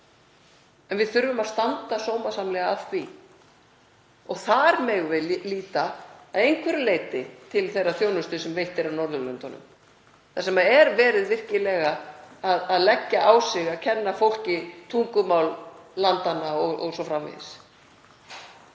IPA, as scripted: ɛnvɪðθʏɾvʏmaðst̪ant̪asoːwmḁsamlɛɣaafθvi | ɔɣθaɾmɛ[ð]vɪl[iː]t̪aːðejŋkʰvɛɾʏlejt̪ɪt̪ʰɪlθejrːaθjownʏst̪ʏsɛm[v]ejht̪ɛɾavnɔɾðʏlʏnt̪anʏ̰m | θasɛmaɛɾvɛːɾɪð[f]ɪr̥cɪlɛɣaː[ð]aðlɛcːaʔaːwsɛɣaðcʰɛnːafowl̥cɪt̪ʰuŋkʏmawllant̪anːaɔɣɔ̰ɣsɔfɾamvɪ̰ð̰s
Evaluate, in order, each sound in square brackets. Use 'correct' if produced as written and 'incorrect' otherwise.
incorrect, correct, correct, incorrect, correct

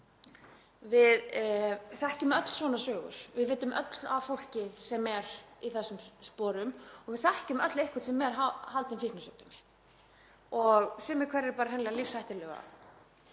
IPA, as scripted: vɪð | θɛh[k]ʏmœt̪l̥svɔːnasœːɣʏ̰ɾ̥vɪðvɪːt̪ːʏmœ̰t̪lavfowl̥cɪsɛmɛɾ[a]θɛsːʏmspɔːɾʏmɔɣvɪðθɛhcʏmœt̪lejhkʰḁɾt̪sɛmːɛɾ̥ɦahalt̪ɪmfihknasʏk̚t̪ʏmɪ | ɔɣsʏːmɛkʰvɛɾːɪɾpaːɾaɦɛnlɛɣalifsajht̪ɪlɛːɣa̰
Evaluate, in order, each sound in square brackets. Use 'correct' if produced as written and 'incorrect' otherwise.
incorrect, incorrect

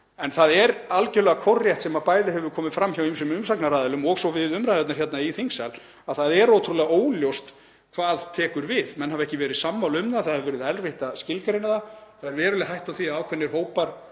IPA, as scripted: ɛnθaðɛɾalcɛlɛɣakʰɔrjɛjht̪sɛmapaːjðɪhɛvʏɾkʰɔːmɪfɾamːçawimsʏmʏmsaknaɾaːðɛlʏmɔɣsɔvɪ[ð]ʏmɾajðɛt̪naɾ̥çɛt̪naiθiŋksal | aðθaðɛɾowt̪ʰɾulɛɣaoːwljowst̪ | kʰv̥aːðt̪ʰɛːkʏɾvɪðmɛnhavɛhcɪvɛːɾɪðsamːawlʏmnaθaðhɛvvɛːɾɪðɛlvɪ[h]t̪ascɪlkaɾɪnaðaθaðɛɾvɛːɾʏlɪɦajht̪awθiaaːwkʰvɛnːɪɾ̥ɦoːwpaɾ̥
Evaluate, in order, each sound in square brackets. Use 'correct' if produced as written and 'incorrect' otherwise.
correct, correct

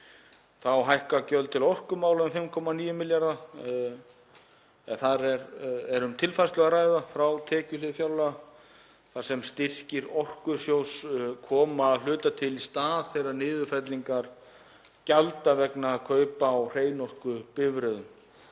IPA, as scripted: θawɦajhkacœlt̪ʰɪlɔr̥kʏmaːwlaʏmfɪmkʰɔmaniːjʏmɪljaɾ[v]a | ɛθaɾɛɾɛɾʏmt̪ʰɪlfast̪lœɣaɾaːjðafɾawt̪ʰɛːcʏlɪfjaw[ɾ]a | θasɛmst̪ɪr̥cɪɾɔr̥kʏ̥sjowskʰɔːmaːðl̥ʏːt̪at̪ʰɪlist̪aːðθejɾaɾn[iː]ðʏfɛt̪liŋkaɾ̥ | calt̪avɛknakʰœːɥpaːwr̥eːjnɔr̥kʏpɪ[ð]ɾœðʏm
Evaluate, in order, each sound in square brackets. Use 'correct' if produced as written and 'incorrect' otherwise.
incorrect, incorrect, incorrect, incorrect

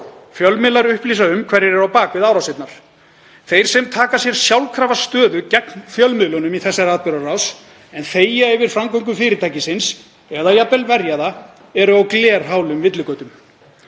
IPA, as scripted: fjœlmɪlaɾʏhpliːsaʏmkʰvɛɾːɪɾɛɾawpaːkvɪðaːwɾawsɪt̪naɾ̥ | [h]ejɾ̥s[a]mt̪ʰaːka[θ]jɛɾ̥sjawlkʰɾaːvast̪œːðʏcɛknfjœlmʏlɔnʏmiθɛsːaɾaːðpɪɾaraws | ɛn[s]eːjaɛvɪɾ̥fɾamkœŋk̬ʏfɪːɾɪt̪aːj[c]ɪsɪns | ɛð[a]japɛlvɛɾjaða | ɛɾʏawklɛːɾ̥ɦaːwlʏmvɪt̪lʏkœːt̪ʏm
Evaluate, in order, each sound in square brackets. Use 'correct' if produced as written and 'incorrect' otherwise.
incorrect, incorrect, incorrect, incorrect, correct, correct

